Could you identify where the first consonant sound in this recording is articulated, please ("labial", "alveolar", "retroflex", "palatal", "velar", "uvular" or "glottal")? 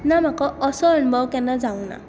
alveolar